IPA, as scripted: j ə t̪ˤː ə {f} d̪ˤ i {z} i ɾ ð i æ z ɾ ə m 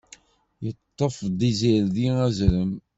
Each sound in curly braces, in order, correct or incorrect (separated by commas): correct, correct